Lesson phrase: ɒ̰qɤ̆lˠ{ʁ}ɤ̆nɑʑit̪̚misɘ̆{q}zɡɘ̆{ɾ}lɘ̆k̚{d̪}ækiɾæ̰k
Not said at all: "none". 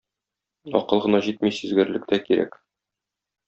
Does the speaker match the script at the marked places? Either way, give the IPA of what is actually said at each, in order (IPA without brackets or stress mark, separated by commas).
ʁ, none, ɾ, t̪